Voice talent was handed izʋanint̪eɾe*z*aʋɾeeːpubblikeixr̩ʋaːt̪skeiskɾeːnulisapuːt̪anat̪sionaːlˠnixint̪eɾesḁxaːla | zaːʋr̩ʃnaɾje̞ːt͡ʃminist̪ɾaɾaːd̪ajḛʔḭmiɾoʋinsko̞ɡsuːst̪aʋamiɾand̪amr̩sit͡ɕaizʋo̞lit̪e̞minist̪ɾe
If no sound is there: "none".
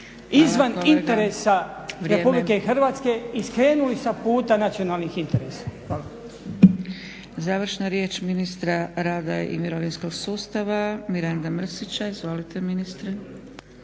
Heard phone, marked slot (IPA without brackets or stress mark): s